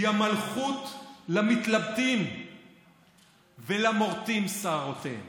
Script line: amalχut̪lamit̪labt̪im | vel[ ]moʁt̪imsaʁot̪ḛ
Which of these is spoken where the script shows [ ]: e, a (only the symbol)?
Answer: a